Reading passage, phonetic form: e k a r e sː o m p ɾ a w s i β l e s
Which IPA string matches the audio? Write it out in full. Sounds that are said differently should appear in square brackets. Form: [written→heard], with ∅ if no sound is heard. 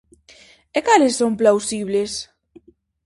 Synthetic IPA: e k a [r→l] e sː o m p [ɾ→l] a w s i β l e s